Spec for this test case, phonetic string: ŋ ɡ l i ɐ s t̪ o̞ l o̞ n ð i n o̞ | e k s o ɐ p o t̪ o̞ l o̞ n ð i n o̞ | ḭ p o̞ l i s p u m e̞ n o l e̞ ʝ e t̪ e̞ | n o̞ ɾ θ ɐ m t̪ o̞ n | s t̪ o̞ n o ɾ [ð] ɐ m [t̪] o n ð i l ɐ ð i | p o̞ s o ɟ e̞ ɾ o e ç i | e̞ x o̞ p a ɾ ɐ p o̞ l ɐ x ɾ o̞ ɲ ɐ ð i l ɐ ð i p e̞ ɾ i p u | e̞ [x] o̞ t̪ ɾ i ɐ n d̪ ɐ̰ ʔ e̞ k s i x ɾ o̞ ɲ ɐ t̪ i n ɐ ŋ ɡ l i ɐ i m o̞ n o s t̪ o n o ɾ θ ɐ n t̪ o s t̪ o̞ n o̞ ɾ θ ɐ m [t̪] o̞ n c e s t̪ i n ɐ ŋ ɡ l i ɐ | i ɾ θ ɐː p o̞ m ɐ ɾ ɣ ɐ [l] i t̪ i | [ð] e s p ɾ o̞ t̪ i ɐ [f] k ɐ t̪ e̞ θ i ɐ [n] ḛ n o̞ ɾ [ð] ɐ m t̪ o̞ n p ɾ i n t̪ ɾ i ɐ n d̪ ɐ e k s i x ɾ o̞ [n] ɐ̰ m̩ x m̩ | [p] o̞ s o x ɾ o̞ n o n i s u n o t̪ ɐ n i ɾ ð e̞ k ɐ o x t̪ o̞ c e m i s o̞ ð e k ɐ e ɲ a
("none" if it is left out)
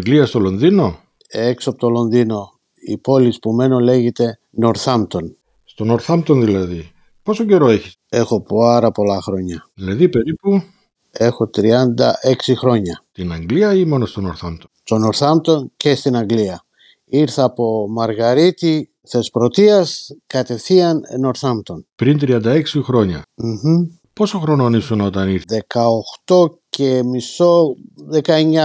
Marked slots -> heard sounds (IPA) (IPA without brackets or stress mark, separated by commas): θ, t̪, x, t̪, ɾ, θ, s, n, θ, ɲ, p